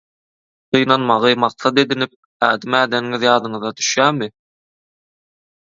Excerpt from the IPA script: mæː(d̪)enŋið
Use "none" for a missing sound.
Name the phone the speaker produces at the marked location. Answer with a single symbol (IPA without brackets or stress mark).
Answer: d̪